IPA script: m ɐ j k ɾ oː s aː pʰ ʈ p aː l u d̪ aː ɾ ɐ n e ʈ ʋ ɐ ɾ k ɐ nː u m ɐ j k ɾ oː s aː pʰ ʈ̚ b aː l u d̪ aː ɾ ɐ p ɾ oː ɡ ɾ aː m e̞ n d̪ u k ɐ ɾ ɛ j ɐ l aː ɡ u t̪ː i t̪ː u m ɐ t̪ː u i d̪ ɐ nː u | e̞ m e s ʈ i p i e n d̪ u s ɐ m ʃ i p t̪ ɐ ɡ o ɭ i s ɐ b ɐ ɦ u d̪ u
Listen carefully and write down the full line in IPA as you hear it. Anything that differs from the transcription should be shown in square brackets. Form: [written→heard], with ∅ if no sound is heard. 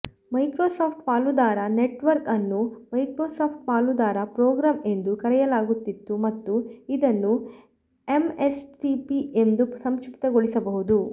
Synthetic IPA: m ɐ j k ɾ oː s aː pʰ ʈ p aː l u d̪ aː ɾ ɐ n e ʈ ʋ ɐ ɾ k ɐ nː u m ɐ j k ɾ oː s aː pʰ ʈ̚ [b→p] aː l u d̪ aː ɾ ɐ p ɾ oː ɡ ɾ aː m e̞ n d̪ u k ɐ ɾ ɛ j ɐ l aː ɡ u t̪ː i t̪ː u m ɐ t̪ː u i d̪ ɐ nː u | e̞ m e s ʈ i p i e n d̪ u s ɐ m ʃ i p t̪ ɐ ɡ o ɭ i s ɐ b ɐ ɦ u d̪ u

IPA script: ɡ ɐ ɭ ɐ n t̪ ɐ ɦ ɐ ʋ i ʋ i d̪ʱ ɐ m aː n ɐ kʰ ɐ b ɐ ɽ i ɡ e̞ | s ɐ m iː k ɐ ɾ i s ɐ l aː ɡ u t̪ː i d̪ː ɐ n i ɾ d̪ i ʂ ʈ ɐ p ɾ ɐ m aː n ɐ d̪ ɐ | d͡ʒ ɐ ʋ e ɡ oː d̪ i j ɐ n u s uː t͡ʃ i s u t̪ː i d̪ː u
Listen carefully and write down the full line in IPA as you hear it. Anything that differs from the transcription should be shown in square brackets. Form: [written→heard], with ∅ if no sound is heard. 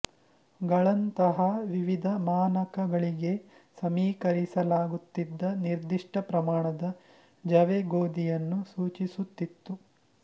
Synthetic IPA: ɡ ɐ ɭ ɐ n t̪ ɐ ɦ ɐ ʋ i ʋ i d̪ʱ ɐ m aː n ɐ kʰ ɐ [b→ɡ] ɐ [ɽ→ɭ] i ɡ e̞ | s ɐ m iː k ɐ ɾ i s ɐ l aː ɡ u t̪ː i d̪ː ɐ n i ɾ d̪ i ʂ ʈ ɐ p ɾ ɐ m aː [n→ɳ] ɐ d̪ ɐ | d͡ʒ ɐ ʋ e ɡ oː d̪ i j ɐ [n→nː] u s uː t͡ʃ i s u t̪ː i [d̪ː→t̪ː] u

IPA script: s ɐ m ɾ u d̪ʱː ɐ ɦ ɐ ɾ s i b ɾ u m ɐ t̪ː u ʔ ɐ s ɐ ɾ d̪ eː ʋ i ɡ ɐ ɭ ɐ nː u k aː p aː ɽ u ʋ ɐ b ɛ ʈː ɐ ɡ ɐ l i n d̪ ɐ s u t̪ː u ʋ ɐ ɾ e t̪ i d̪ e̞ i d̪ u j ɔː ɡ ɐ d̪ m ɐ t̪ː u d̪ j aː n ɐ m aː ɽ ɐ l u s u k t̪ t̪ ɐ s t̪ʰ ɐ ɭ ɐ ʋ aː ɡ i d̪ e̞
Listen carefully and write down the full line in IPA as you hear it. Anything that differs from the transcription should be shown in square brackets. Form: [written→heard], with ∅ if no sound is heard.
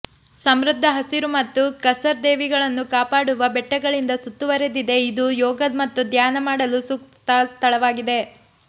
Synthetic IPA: s ɐ m ɾ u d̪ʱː ɐ ɦ ɐ [ɾ→∅] s i [b→∅] ɾ u m ɐ t̪ː u [ʔ→k] ɐ s ɐ ɾ d̪ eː ʋ i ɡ ɐ ɭ ɐ nː u k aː p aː ɽ u ʋ ɐ b ɛ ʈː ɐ ɡ ɐ [l→ɭ] i n d̪ ɐ s u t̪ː u ʋ ɐ ɾ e [t̪→d̪] i d̪ e̞ i d̪ u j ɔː ɡ ɐ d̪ m ɐ t̪ː u d̪ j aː n ɐ m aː ɽ ɐ l u s u k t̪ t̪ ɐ s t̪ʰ ɐ ɭ ɐ ʋ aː ɡ i d̪ e̞

